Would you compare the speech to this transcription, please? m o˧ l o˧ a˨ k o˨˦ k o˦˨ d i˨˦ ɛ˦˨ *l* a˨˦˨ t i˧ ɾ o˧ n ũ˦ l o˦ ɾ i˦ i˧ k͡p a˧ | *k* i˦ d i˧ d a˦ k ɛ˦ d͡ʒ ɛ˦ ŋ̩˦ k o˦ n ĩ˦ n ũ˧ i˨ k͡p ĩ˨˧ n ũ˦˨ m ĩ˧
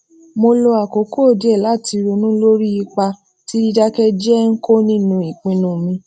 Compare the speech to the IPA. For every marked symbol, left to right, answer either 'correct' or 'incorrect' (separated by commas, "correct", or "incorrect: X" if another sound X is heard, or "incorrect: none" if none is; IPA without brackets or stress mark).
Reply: correct, incorrect: t